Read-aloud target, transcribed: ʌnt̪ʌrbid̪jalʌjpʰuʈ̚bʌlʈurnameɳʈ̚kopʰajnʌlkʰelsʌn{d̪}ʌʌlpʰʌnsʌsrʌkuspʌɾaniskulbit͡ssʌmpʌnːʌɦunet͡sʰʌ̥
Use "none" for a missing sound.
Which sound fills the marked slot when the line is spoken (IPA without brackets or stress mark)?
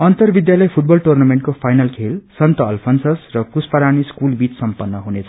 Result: t̪